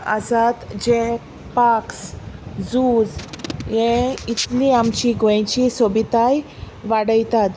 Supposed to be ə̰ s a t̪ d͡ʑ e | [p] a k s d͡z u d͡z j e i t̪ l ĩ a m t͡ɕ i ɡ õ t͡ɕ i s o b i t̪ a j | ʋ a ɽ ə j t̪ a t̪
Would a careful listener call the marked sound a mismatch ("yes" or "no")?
no